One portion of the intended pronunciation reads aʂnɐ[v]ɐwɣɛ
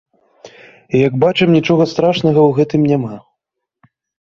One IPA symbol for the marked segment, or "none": ɣ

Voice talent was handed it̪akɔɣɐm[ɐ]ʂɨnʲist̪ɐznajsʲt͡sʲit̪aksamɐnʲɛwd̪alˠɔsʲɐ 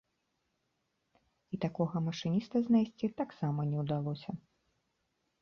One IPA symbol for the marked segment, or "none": ɐ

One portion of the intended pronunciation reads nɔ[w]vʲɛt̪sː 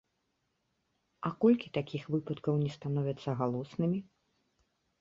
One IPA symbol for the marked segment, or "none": none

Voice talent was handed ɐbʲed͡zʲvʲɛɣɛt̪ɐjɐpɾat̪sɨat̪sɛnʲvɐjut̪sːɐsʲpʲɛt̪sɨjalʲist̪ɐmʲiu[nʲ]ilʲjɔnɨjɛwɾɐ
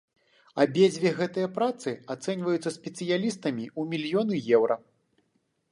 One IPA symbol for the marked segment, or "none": mʲ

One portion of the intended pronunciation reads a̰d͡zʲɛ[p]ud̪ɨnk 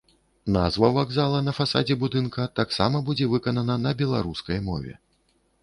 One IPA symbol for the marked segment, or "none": b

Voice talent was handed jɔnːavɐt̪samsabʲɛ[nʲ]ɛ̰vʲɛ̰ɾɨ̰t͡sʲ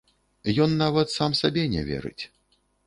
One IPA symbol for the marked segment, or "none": nʲ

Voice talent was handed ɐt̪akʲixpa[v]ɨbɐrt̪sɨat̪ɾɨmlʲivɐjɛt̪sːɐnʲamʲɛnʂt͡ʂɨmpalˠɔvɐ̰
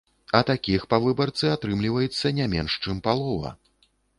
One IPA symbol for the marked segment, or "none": v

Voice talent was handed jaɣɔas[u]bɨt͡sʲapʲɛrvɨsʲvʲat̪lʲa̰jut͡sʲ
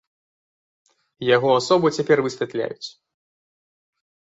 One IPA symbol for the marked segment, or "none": ɔ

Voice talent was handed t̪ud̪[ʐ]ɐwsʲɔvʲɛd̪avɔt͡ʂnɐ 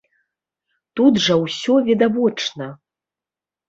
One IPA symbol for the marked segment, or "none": ʐ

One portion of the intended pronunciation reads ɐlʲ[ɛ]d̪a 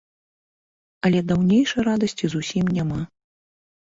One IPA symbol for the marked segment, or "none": ɛ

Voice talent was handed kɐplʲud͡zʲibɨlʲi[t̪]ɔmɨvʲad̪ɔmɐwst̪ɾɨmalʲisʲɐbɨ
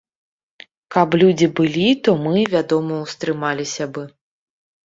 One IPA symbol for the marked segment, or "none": t̪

